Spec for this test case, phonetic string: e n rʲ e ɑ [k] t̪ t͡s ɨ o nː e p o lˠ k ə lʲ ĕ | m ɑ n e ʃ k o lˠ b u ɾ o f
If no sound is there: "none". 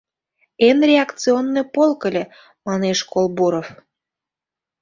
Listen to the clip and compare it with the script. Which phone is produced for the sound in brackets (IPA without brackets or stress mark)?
k